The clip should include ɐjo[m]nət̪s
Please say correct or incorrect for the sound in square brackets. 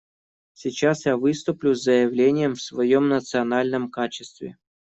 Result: correct